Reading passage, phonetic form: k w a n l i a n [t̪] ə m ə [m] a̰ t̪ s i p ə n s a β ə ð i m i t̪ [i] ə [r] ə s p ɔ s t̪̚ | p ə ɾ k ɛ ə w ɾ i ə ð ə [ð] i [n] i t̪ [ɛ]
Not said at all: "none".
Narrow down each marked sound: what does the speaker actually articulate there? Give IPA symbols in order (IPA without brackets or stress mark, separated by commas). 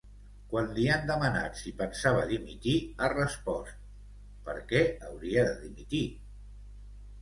d̪, n, i, r, ð, m, i